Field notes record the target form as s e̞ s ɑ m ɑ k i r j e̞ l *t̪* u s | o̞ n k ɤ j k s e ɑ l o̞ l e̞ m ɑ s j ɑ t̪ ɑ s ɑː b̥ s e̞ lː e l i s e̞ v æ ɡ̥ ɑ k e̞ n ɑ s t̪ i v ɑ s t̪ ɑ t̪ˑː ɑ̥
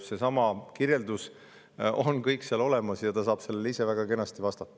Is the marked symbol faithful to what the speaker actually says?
no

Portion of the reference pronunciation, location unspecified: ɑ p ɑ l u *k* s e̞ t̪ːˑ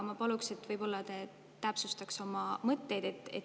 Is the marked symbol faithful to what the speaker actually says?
yes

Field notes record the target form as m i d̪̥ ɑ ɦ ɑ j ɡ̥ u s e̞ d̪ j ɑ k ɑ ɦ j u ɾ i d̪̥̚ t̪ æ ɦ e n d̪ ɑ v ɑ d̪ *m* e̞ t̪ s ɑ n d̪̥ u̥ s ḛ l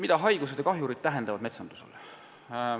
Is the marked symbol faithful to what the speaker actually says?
yes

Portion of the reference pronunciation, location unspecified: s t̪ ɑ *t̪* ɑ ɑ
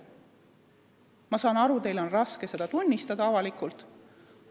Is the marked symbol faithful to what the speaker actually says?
no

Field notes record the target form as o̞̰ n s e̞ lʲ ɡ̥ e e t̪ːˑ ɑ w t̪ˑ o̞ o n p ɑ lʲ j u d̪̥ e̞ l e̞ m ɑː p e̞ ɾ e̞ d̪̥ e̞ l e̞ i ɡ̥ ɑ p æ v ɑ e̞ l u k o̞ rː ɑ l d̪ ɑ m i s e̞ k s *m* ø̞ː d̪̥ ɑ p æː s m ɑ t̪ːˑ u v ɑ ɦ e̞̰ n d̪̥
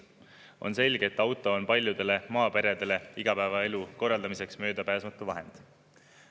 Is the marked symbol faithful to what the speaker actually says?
yes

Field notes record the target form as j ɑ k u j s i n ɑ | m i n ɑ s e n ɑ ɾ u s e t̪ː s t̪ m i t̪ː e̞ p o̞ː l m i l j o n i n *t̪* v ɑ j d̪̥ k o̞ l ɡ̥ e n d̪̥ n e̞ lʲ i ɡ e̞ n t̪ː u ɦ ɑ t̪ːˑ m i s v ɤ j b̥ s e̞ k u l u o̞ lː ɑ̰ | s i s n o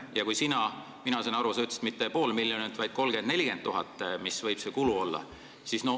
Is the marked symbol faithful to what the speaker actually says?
yes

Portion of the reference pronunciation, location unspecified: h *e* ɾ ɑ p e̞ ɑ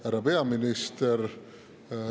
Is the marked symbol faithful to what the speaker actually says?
no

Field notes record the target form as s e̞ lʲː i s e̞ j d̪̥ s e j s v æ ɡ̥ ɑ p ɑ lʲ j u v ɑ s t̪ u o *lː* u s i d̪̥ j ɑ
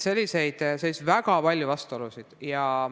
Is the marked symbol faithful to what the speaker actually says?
no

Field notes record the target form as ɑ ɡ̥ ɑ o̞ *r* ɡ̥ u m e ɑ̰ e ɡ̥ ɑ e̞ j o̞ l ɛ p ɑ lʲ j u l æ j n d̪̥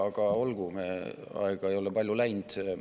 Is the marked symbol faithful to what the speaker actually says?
no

